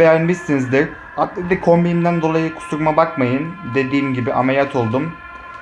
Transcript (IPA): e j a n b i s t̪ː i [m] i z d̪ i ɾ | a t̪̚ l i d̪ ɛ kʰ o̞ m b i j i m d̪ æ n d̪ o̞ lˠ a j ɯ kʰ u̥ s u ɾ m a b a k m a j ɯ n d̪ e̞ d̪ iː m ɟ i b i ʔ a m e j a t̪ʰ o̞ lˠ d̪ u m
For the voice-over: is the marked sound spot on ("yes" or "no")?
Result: no